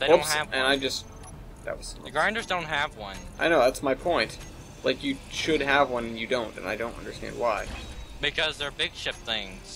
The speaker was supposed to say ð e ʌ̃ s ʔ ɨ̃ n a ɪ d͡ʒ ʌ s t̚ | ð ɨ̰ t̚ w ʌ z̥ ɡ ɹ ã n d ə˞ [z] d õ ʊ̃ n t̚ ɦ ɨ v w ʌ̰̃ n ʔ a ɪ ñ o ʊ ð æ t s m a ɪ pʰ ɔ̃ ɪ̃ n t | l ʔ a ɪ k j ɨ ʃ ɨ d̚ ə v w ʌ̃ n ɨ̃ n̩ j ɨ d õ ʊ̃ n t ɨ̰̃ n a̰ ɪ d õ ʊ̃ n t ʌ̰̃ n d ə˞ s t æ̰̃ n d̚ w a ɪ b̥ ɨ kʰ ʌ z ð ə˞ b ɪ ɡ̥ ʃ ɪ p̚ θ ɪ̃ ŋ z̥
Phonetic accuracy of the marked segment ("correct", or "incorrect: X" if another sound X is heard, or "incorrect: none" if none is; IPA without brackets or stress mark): correct